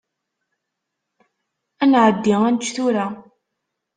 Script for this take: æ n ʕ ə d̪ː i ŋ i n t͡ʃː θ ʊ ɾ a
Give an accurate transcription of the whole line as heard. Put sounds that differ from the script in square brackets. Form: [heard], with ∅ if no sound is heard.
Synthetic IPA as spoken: æ n ʕ ə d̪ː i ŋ [æ] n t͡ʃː θ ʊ ɾ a